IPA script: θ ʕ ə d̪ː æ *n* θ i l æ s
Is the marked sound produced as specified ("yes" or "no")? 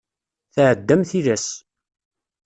no